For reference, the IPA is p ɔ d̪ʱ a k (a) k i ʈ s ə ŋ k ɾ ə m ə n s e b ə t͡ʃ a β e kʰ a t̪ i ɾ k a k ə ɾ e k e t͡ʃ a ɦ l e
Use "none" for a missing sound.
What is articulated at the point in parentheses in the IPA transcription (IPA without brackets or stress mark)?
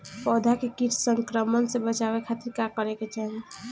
e